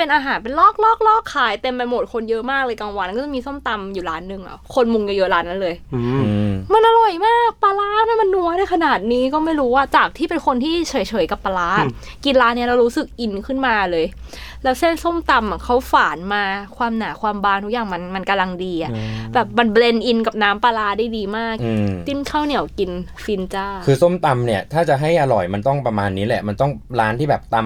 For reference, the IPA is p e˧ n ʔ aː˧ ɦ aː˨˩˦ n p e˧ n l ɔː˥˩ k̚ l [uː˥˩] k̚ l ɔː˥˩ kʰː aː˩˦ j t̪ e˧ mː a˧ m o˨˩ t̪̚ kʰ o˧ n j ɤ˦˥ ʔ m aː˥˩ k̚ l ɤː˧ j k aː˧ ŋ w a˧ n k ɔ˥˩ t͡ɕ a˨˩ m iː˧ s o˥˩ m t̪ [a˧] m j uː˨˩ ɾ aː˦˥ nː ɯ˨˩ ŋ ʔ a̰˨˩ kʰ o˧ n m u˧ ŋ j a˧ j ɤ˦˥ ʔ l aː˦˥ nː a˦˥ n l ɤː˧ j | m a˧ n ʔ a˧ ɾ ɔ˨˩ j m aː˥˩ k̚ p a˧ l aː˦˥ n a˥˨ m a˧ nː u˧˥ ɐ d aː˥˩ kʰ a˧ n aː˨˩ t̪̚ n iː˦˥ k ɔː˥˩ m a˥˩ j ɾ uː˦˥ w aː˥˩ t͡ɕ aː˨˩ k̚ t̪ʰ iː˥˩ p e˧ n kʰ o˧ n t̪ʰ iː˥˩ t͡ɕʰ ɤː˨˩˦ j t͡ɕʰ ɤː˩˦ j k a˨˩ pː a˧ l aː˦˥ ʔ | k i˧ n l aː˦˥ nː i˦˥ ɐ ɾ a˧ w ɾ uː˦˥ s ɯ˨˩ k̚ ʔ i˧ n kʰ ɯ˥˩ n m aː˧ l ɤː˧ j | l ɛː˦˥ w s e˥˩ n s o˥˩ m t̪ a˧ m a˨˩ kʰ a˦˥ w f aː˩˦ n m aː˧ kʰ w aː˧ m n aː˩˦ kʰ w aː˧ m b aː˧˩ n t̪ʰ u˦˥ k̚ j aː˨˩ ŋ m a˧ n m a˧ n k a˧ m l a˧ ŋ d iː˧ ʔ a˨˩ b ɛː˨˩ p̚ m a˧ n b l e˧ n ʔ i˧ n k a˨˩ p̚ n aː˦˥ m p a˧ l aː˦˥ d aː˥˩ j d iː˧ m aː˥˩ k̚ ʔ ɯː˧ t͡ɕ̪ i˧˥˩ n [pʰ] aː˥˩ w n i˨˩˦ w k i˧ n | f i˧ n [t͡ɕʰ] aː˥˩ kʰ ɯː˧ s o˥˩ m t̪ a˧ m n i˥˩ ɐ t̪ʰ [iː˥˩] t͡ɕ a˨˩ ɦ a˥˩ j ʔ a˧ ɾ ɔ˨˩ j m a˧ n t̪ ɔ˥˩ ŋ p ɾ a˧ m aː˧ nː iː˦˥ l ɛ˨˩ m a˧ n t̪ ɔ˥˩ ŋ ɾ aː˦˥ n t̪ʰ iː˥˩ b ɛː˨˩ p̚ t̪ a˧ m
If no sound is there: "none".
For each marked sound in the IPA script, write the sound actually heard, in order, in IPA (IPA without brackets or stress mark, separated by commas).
ɔː˥˩, a˧, kʰ, t͡ɕ, aː˥˩